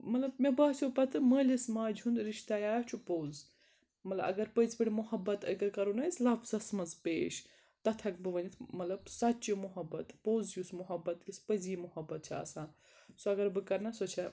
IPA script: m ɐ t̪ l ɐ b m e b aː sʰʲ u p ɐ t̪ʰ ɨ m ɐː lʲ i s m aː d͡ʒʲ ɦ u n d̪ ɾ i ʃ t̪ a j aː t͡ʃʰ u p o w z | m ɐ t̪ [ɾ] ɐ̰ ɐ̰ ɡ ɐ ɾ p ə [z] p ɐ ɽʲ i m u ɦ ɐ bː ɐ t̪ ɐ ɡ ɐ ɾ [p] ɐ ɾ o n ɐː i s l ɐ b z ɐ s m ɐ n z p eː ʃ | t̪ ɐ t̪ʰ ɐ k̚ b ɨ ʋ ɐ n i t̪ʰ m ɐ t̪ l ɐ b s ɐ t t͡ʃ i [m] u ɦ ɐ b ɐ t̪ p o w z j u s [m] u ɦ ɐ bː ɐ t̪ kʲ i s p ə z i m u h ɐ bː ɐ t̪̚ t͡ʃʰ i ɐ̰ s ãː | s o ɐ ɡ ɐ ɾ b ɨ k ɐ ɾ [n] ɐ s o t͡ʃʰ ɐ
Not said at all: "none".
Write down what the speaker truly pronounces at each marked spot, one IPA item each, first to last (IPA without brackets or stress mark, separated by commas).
l, z, k, m, m, n